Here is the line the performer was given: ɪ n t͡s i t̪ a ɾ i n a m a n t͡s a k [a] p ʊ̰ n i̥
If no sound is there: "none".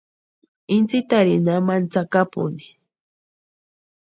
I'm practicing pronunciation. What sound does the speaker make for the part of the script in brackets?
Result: a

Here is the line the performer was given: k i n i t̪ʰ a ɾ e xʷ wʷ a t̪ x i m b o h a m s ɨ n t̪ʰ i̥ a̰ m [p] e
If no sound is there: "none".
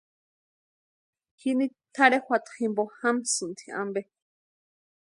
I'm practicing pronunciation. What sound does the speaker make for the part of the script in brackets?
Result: b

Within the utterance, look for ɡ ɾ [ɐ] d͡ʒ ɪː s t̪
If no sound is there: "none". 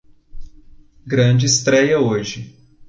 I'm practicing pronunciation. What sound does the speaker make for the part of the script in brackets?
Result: ɐ̃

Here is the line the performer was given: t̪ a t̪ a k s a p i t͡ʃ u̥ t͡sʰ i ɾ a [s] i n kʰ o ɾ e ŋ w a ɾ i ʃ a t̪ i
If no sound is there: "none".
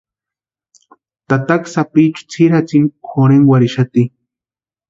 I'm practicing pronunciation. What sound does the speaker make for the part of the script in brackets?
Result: t͡s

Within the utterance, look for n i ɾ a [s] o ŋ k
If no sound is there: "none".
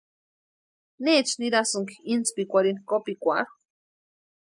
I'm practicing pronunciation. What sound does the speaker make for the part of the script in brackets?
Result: s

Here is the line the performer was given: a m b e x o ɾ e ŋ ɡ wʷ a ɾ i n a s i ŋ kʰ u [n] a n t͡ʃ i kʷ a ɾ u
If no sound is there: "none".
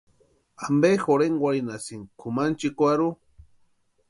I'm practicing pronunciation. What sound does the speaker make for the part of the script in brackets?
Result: m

